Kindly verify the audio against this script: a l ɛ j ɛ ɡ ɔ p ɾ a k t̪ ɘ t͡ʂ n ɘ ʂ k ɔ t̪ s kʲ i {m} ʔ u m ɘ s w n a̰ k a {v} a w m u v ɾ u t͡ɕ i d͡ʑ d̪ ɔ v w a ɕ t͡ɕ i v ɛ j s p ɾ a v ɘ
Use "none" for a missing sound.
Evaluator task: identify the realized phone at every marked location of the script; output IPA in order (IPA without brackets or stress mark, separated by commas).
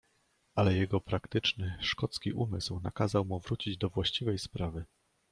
none, z